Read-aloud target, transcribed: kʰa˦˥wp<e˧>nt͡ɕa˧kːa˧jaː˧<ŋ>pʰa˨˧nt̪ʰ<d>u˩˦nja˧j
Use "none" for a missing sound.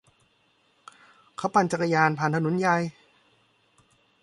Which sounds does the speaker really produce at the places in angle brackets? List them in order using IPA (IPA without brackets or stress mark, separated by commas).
a˧, n, n